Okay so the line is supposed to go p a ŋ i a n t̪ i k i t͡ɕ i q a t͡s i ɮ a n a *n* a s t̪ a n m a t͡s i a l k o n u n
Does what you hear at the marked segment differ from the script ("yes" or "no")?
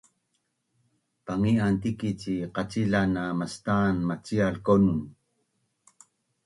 yes